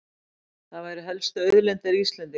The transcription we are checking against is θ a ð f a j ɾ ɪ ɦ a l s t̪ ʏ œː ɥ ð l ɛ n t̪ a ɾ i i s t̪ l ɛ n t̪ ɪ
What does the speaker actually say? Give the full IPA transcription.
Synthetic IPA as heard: θ a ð v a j ɾ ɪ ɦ ɛ l s t̪ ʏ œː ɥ ð l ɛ n t̪ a ɾ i i s t̪ l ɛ n t̪ ɪ